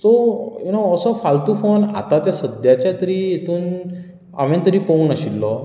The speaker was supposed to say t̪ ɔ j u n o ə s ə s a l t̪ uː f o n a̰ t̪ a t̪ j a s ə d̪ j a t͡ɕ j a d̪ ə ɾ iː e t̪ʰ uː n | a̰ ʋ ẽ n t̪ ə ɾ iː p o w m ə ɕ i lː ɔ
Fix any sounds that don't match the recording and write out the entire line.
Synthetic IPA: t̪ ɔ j u n o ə s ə f a l t̪ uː f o n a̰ t̪ a t̪ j a s ə d̪ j a t͡ɕ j a t̪ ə ɾ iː e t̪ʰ uː n | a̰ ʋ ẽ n t̪ ə ɾ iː p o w n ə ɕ i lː ɔ